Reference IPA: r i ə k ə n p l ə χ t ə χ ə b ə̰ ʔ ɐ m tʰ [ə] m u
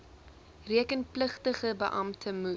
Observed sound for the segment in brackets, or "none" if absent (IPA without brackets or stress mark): ə